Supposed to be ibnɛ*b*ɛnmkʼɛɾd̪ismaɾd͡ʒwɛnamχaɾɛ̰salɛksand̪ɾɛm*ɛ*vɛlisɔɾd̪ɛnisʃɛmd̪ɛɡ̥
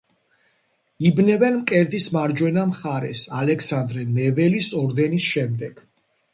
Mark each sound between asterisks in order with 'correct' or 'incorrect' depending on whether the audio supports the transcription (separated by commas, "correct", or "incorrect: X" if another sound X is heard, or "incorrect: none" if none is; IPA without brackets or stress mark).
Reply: incorrect: v, correct